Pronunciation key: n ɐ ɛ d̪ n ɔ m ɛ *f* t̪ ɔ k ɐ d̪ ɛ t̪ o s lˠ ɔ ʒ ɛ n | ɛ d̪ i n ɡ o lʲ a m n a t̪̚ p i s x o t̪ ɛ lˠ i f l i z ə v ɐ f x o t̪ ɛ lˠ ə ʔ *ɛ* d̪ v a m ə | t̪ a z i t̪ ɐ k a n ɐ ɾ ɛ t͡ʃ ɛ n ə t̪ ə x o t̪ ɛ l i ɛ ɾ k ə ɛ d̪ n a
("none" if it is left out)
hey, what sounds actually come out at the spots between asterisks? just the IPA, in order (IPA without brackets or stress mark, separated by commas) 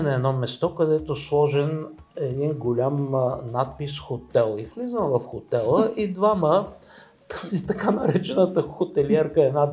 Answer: s, i